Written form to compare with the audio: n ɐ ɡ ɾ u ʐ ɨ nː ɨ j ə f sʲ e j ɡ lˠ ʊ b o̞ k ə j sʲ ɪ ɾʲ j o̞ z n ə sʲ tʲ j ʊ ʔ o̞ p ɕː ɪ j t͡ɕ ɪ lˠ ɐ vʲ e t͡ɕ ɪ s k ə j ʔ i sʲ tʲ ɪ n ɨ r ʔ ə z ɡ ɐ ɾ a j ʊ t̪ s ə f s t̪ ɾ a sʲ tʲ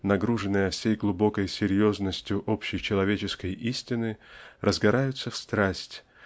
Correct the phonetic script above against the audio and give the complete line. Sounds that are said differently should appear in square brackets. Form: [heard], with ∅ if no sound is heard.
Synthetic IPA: n ɐ ɡ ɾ u ʐ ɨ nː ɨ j ə f sʲ e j ɡ lˠ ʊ b o̞ k ə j sʲ ɪ ɾʲ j o̞ z n ə sʲ tʲ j ʊ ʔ o̞ p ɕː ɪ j t͡ɕ ɪ lˠ ɐ vʲ e t͡ɕ ɪ s k ə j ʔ i sʲ tʲ ɪ n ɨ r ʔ ə z ɡ ɐ ɾ a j ʊ t̪ s ə f s t̪ ɾ a sʲ tʲ

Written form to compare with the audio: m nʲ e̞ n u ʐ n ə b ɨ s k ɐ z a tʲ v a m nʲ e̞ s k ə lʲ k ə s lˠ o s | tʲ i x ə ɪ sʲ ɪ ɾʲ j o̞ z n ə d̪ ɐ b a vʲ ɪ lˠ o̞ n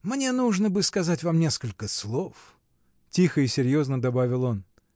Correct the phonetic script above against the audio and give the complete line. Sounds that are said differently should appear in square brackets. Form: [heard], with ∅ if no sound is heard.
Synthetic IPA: m nʲ e̞ n u ʐ n ə b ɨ s k ɐ z a tʲ v a m nʲ e̞ s k ə lʲ k ə s lˠ o [f] | tʲ i x ə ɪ sʲ ɪ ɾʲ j o̞ z n ə d̪ ɐ b a vʲ ɪ lˠ o̞ n

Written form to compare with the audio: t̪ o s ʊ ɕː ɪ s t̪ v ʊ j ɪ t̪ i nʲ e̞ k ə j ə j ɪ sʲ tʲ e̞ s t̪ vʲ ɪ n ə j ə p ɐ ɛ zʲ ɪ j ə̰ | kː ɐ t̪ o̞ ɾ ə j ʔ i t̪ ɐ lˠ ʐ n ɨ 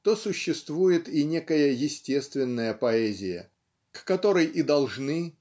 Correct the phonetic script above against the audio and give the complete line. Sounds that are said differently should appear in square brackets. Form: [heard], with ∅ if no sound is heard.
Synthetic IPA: t̪ o s ʊ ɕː ɪ s t̪ v [u] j ɪ t̪ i nʲ e̞ k ə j ə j ɪ sʲ tʲ e̞ s t̪ vʲ ɪ [nː] ə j ə p ɐ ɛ zʲ ɪ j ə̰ | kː ɐ t̪ o̞ ɾ ə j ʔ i [d̪] ɐ lˠ ʐ n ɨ

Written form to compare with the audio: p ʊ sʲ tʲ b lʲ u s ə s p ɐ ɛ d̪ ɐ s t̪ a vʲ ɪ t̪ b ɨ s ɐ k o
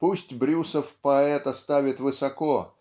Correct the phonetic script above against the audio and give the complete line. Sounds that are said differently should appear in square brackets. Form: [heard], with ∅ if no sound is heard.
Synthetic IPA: p [u] sʲ tʲ b [ɾʲ] u s ə [f] p ɐ ɛ [t̪] ɐ s t̪ a vʲ ɪ t̪ [v] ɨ s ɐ k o

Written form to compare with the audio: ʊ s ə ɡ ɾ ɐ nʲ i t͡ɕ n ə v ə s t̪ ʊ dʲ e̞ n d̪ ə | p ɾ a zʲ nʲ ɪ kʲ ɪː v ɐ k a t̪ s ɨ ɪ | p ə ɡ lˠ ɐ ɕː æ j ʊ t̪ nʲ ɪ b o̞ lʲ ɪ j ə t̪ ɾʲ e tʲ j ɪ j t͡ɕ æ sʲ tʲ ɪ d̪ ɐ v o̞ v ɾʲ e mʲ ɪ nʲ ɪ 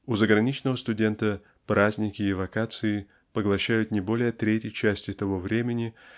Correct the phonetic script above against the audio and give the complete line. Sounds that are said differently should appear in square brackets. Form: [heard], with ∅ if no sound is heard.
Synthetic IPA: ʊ [z] ə ɡ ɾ ɐ nʲ i t͡ɕ n ə v ə s t̪ ʊ dʲ e̞ n [t̪] ə | p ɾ a zʲ nʲ ɪ kʲ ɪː v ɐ k a t̪ s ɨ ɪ | p ə ɡ lˠ ɐ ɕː æ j ʊ t̪ nʲ ɪ b o̞ lʲ ɪ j ə t̪ ɾʲ e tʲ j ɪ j t͡ɕ æ sʲ tʲ ɪ [t̪] ɐ v o̞ v ɾʲ e mʲ ɪ nʲ ɪ

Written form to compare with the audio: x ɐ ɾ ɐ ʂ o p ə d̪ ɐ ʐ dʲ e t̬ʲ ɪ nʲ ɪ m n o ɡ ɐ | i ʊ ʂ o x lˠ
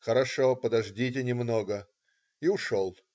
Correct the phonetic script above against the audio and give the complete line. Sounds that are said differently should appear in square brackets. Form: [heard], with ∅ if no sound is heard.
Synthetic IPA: x [ə] ɾ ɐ ʂ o p ə d̪ ɐ ʐ dʲ [i] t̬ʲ ɪ nʲ ɪ m n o ɡ [ə] | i ʊ ʂ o [∅] lˠ

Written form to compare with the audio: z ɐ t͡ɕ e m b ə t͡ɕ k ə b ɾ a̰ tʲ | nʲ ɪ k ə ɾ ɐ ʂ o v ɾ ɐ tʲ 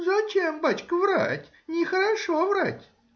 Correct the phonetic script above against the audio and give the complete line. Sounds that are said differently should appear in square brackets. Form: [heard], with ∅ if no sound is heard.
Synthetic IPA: z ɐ t͡ɕ e m b [a] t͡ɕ k ə [v] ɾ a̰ tʲ | nʲ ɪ [x] ə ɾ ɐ ʂ o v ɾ [a] tʲ

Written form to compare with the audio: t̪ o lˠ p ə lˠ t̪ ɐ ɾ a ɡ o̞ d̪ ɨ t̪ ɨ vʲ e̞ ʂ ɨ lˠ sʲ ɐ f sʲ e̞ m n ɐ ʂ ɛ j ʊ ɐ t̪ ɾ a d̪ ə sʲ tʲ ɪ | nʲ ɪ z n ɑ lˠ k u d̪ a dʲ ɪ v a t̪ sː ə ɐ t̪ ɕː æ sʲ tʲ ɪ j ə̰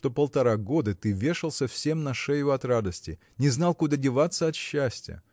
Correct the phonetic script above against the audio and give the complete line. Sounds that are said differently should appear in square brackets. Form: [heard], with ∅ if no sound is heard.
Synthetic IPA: t̪ o [∅] p ə lˠ t̪ ɐ ɾ a ɡ o̞ d̪ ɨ t̪ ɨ vʲ e̞ ʂ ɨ lˠ sʲ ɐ f sʲ e̞ m n ɐ ʂ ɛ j ʊ ɐ t̪ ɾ a d̪ ə sʲ tʲ ɪ | nʲ ɪ z n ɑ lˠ k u d̪ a dʲ ɪ v a t̪ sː ə ɐ t̪ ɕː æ sʲ tʲ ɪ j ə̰

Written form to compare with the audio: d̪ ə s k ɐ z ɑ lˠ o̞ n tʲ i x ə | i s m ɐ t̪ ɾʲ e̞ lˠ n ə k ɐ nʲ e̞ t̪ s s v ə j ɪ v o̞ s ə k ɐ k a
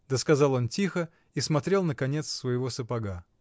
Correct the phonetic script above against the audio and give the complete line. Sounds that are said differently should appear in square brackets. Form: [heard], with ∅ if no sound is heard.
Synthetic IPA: d̪ ə s k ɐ z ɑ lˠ o̞ n tʲ i x ə | i s m ɐ t̪ ɾʲ e̞ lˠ n ə k ɐ nʲ e̞ t̪ s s v ə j ɪ v o̞ s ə [p] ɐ [ɡ] a

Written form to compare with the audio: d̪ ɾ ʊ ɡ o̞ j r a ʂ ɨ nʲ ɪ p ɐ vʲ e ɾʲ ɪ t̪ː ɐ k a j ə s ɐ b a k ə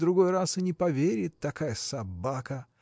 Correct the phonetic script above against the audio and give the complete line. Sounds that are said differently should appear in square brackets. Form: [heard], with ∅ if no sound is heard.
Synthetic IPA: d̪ ɾ ʊ ɡ o̞ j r a [s] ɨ nʲ ɪ p ɐ vʲ e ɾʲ ɪ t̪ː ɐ k a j ə s ɐ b a k ə

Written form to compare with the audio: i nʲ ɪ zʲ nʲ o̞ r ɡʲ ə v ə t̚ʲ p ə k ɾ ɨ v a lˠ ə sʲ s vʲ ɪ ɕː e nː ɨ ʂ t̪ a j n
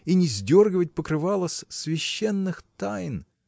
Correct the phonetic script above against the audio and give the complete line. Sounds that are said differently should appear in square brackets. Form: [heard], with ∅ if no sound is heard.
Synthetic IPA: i nʲ ɪ zʲ [dʲ] o̞ r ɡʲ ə v ə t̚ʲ p ə k ɾ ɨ v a lˠ ə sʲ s vʲ ɪ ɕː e nː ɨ [x] t̪ a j n

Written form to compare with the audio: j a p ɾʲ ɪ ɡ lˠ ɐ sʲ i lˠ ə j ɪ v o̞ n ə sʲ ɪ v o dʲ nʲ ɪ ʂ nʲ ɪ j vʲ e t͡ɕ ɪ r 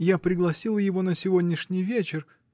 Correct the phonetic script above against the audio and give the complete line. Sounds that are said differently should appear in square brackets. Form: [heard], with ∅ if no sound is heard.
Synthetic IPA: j a p ɾʲ ɪ ɡ lˠ ɐ sʲ i lˠ ə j ɪ v o̞ n ə sʲ ɪ v o dʲ nʲ ɪ ʂ nʲ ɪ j vʲ e t͡ɕ ɪ r

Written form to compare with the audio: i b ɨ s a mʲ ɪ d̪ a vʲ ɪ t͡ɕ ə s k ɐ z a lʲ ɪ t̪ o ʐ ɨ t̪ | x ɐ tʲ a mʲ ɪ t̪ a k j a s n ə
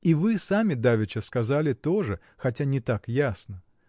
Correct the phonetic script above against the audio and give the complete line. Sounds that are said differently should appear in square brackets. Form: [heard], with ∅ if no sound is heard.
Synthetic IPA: i [v] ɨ s a mʲ ɪ d̪ a vʲ ɪ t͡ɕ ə s k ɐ z a lʲ ɪ t̪ o ʐ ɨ [∅] | x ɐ tʲ a [nʲ] ɪ t̪ a k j a s n ə

